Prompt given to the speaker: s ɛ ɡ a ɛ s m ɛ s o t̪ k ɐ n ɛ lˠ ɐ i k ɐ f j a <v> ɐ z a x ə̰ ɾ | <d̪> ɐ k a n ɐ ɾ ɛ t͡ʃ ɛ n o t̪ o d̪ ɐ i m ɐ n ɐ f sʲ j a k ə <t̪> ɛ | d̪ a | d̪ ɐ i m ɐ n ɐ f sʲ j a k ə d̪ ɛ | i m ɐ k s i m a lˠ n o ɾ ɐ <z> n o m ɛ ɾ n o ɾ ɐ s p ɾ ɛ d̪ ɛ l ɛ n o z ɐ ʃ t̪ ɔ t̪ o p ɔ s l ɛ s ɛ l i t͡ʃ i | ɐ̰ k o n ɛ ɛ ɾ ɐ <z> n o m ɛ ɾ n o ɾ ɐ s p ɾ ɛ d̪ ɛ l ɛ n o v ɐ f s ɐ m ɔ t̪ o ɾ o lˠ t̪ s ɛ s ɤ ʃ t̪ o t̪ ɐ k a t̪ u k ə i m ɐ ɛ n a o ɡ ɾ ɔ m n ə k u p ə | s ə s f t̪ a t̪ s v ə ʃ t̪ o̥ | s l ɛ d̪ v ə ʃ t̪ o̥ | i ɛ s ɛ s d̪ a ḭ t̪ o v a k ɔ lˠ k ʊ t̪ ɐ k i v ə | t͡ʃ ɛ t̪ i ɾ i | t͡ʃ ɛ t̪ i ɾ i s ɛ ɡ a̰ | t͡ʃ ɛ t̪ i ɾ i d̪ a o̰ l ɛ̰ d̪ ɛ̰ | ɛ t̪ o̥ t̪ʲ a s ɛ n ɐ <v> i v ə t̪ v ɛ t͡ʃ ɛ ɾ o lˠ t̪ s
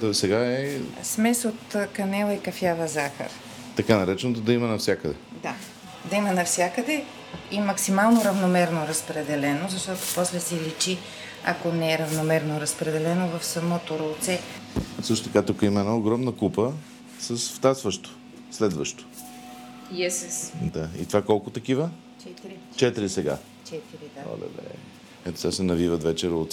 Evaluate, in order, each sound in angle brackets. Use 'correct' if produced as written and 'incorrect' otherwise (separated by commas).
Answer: correct, incorrect, incorrect, incorrect, incorrect, correct